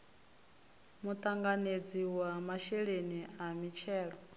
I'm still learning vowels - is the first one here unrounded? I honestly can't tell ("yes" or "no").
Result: no